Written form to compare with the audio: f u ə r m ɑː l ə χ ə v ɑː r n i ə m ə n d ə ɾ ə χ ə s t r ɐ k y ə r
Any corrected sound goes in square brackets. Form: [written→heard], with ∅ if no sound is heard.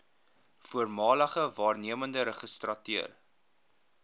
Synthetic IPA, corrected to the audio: f u ə r m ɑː l ə χ ə v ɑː r n i ə m ə n d ə ɾ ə χ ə s t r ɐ [k→t] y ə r